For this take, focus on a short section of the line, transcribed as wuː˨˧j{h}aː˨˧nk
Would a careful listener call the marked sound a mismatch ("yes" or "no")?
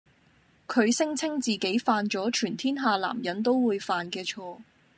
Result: yes